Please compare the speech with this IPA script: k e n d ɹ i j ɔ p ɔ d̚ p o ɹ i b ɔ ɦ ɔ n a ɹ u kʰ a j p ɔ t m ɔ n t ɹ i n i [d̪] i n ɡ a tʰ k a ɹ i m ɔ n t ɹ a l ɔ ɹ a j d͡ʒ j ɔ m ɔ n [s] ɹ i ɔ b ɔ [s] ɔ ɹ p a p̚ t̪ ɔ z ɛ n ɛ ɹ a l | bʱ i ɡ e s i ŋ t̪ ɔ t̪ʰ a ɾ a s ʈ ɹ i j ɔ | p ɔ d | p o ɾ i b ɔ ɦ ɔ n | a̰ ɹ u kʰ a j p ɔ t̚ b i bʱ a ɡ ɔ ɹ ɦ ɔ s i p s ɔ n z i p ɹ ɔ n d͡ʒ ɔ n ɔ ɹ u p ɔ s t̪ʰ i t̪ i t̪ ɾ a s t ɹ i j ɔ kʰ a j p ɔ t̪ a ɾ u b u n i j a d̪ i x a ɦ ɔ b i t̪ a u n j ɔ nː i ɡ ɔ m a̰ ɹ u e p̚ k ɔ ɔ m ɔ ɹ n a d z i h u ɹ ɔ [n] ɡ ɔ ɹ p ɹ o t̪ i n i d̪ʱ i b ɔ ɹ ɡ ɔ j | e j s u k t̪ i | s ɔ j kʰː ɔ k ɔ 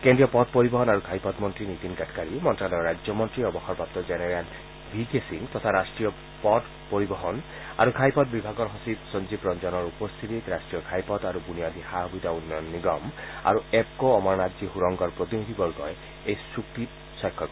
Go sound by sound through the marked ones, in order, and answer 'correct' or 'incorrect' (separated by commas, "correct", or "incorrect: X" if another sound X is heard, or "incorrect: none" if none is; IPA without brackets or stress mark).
incorrect: t̪, incorrect: t, incorrect: x, incorrect: ŋ